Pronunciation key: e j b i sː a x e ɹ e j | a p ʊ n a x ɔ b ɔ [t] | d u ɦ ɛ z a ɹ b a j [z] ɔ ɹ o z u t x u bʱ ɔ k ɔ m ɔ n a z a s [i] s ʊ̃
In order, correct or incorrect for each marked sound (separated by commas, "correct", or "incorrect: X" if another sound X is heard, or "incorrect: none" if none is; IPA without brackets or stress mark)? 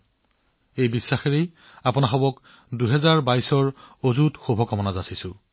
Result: incorrect: k, incorrect: s, correct